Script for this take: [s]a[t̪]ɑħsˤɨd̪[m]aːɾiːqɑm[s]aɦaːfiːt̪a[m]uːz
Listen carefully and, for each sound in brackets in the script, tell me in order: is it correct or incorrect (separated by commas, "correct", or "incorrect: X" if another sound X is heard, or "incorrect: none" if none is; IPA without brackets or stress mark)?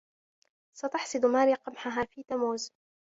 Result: correct, correct, correct, incorrect: ħ, correct